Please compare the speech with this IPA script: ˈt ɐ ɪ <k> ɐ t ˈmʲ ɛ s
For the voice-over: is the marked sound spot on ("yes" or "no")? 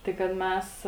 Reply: yes